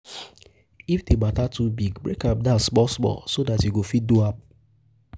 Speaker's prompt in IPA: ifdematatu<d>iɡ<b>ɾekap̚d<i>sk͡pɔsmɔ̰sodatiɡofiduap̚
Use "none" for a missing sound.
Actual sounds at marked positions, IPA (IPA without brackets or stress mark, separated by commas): b, b, a